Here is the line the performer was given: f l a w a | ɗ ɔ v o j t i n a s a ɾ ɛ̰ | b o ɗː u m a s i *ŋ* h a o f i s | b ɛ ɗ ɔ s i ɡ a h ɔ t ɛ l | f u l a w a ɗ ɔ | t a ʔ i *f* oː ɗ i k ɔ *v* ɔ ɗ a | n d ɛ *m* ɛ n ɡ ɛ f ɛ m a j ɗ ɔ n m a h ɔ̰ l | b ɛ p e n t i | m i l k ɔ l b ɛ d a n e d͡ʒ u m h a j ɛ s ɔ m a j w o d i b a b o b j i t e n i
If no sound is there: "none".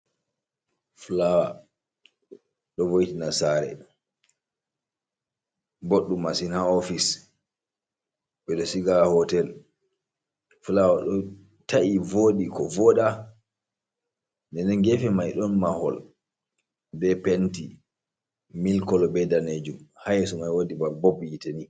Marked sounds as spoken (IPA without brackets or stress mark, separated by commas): n, v, v, n